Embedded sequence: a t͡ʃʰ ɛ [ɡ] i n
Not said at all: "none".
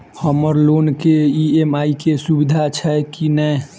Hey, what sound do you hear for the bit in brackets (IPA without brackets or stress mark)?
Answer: k